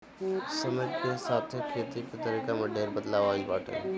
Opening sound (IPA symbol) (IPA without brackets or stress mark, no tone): s